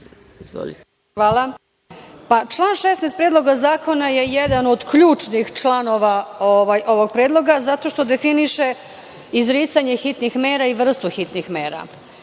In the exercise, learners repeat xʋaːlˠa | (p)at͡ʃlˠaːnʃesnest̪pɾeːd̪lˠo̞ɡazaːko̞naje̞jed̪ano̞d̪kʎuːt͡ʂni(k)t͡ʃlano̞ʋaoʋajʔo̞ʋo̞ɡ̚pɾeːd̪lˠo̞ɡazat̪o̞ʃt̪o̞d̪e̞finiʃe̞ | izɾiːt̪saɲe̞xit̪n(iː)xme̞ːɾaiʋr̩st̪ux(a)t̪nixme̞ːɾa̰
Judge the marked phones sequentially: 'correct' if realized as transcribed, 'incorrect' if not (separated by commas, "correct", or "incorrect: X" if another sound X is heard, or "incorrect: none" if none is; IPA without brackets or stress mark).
correct, incorrect: x, incorrect: i, incorrect: i